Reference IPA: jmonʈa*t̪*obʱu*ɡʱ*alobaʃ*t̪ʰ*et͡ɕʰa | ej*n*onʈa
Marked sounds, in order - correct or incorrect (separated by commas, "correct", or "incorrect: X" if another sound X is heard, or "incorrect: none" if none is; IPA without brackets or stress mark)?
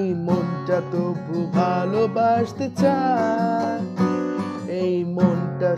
correct, incorrect: bʱ, incorrect: t̪, incorrect: m